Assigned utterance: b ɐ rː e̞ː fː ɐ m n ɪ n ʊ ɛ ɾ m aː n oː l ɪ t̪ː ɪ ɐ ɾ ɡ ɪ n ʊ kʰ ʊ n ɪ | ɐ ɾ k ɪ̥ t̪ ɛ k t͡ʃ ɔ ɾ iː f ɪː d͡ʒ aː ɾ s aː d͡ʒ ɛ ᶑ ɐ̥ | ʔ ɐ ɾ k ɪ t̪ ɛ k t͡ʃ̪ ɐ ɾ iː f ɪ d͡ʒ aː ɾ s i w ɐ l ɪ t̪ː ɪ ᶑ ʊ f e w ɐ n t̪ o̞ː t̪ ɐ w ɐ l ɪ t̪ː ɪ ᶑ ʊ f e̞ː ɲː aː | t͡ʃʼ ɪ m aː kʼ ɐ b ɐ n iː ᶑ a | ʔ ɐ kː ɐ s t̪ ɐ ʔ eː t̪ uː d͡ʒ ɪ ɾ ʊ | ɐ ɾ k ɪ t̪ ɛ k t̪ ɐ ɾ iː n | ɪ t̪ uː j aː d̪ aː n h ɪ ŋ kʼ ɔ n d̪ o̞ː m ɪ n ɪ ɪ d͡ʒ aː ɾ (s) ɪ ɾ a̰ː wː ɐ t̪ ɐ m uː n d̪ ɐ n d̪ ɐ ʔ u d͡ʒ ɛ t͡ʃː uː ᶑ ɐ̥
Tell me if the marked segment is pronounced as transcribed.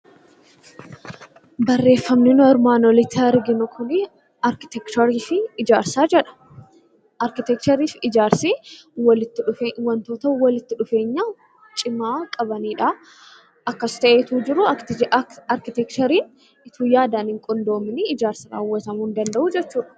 yes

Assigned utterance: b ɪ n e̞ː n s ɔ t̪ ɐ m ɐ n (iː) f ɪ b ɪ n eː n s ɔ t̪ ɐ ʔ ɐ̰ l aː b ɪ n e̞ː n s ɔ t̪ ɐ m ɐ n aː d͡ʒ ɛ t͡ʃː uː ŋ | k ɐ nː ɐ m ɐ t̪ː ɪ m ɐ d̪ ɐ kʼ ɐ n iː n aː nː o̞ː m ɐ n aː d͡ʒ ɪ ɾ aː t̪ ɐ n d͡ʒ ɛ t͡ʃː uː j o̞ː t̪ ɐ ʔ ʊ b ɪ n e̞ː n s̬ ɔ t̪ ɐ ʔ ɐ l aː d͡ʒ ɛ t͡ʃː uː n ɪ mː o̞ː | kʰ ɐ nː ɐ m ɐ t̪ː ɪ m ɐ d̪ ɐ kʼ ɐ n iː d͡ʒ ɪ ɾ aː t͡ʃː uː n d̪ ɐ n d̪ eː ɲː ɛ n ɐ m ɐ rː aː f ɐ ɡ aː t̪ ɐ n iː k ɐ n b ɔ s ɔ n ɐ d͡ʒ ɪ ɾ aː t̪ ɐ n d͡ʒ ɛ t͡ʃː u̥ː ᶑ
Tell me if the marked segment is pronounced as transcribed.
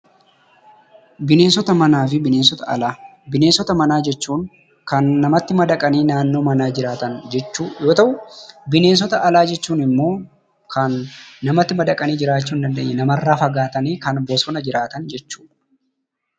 no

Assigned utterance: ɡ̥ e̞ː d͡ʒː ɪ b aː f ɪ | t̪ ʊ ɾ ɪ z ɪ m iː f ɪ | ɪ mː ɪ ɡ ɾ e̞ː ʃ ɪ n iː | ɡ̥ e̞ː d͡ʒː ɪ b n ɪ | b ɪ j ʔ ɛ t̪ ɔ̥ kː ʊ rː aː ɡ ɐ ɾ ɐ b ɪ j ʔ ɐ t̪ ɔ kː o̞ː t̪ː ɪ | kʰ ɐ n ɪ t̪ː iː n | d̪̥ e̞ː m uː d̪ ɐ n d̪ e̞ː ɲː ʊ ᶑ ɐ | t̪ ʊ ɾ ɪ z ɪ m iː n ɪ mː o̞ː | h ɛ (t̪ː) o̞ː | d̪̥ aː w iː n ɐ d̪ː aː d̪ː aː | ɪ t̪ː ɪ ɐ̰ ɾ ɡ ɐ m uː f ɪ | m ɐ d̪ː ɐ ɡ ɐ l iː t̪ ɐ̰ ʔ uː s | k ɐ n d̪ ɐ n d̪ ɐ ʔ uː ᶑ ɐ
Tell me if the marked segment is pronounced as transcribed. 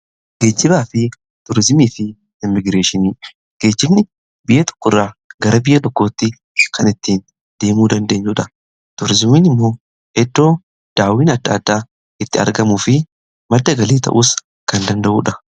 no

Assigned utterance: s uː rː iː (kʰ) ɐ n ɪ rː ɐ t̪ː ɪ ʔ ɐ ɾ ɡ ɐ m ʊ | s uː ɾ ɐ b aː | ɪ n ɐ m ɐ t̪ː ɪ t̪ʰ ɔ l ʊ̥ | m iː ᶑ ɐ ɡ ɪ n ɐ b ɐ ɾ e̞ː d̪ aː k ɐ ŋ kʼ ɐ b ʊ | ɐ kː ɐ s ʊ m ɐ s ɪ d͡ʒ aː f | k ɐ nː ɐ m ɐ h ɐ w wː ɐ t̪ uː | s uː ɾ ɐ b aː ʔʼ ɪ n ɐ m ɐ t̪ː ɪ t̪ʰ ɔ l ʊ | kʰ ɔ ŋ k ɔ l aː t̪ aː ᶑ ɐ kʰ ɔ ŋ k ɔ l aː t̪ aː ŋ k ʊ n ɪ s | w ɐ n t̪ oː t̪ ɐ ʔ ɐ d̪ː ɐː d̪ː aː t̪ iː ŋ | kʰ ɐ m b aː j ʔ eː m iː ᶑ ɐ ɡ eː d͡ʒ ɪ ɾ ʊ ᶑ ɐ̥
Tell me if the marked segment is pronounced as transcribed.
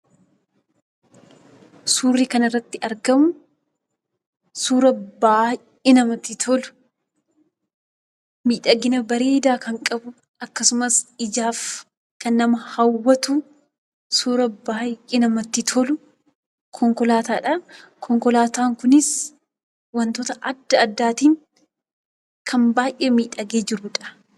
no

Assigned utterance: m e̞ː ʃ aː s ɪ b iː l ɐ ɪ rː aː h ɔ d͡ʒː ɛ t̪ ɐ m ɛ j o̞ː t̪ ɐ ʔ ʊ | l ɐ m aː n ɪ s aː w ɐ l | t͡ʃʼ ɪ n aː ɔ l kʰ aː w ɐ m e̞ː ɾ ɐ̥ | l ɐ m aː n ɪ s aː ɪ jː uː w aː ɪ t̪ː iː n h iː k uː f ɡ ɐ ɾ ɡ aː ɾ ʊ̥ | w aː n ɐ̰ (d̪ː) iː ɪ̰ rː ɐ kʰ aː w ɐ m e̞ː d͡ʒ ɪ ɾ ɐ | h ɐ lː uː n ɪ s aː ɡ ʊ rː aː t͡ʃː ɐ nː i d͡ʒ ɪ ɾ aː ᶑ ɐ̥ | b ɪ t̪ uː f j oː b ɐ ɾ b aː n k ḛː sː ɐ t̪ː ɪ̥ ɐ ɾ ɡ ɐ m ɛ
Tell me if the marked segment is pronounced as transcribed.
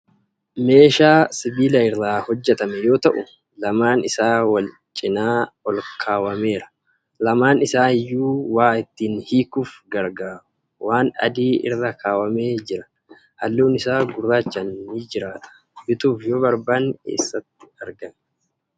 no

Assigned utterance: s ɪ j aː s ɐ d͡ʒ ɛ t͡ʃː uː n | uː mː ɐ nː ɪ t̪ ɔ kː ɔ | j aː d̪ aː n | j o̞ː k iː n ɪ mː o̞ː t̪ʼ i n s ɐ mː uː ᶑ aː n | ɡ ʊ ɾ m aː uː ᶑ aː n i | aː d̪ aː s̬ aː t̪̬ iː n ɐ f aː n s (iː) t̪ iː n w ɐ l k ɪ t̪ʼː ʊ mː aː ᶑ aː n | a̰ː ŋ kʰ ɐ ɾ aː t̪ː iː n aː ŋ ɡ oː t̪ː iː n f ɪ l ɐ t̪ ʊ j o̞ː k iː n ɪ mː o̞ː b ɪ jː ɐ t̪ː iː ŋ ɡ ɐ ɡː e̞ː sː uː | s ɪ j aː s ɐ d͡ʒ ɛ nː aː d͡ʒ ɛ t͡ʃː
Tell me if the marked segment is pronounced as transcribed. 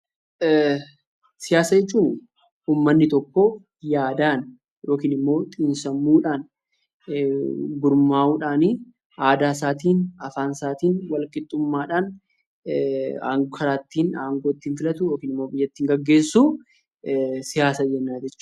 no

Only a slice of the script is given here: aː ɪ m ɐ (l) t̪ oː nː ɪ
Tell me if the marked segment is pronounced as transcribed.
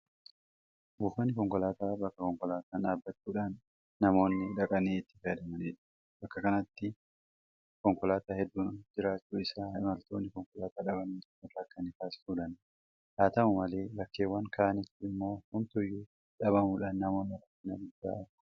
yes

